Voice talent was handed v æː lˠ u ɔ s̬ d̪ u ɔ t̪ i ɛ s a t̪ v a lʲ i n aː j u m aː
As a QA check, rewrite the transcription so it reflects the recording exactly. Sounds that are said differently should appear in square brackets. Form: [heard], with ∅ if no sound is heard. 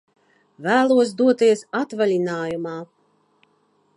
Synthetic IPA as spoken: v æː lˠ u ɔ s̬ d̪ u ɔ t̪ i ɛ s a t̪ v a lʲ i n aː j u m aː